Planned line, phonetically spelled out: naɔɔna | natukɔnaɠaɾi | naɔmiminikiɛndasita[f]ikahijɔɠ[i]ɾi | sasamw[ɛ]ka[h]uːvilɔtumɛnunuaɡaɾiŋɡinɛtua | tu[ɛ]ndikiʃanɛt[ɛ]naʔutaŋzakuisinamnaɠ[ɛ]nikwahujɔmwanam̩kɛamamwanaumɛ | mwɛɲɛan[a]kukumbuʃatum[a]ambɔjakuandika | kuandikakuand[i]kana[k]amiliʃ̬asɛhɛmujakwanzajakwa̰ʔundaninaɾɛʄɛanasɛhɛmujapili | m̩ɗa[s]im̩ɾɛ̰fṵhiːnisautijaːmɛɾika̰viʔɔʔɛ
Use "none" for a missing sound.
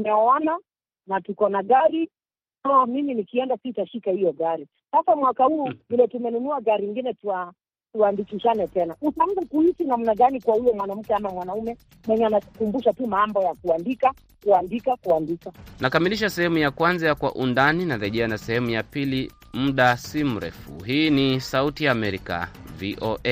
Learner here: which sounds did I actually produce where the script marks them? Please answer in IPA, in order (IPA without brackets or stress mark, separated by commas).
ʃ, a, a, h, a, ɛ, a, a, a, i, k, s